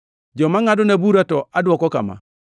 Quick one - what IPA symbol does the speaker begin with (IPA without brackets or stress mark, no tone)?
d͡ʒ